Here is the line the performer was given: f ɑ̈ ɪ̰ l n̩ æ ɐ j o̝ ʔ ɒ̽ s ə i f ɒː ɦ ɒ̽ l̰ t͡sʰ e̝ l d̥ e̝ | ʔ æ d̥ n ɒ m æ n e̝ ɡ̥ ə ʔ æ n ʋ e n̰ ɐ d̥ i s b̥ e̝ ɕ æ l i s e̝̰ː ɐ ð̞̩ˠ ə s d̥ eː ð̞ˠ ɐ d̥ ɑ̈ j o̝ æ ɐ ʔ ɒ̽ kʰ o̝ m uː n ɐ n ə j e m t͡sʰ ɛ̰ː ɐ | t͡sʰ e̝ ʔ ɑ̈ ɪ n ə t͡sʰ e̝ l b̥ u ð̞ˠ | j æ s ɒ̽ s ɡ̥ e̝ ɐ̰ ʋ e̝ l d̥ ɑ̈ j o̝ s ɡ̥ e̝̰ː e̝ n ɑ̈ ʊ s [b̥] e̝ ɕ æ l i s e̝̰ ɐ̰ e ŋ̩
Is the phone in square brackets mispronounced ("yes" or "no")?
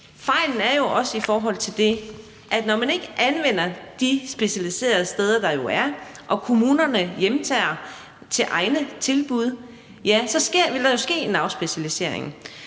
no